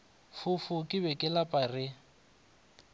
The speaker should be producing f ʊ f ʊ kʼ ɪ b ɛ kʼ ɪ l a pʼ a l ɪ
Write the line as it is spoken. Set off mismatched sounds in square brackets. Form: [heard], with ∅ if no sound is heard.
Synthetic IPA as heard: f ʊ f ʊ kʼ ɪ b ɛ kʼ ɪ l a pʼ a [r] ɪ